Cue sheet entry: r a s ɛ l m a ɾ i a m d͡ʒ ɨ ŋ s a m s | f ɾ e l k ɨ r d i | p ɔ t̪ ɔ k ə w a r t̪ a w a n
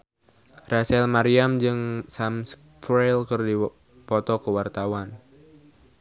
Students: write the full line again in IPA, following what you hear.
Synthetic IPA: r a s ɛ l m a ɾ i a m d͡ʒ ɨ ŋ s a m s | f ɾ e l k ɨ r d i | p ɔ t̪ ɔ k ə w a r t̪ a w a n